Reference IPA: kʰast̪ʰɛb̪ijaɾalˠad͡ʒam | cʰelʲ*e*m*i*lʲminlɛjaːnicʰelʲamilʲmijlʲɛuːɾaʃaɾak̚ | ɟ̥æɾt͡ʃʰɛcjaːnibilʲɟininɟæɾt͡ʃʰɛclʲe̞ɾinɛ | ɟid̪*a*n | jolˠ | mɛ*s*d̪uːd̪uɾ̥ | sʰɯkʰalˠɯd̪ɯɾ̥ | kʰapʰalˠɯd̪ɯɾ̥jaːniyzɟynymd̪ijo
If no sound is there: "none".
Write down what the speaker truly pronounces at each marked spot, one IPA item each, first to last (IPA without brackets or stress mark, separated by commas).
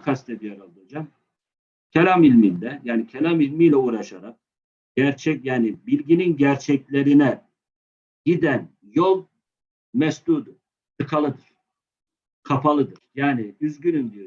a, i, æ, s